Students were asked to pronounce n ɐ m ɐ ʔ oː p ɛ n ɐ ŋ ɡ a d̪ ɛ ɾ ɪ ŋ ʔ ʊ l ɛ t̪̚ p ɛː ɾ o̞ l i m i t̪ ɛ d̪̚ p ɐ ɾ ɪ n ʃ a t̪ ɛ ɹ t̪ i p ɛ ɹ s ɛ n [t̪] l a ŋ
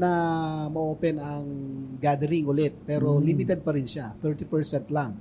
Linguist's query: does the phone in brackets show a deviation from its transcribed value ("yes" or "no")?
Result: no